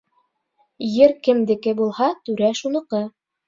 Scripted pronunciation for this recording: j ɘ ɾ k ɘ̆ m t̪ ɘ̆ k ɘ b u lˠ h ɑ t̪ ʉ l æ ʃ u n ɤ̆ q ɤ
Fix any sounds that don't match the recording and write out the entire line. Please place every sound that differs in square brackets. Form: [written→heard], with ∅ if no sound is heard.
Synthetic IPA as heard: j ɘ ɾ k ɘ̆ m [t̪→d̪] ɘ̆ k ɘ b u lˠ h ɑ t̪ ʉ [l→ɾ] æ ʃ u n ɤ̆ q ɤ